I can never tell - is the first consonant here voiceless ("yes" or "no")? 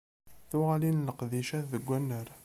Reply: yes